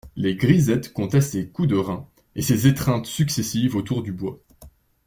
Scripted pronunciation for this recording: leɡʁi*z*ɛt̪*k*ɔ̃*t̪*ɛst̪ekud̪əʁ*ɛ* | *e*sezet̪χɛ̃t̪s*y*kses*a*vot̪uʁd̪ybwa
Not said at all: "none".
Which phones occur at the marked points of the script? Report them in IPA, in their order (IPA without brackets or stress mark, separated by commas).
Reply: z, k, t̪, ɛ̃, e, y, i